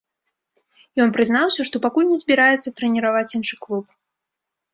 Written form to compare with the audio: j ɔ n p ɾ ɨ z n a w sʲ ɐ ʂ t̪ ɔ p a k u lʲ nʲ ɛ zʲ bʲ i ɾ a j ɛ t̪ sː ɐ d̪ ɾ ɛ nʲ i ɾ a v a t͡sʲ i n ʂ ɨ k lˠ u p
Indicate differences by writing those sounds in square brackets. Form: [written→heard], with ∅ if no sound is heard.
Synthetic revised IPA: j ɔ n p ɾ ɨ z n a w sʲ ɐ ʂ t̪ ɔ p a k u lʲ nʲ ɛ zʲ bʲ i ɾ a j ɛ t̪ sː ɐ [d̪→t̪] ɾ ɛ nʲ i ɾ a v a t͡sʲ i n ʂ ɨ k lˠ u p